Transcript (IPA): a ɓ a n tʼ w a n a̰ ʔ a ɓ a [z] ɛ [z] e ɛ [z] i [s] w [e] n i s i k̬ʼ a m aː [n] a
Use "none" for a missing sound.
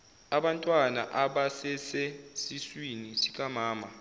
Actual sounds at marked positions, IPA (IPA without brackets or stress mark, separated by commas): s, s, s, s, i, m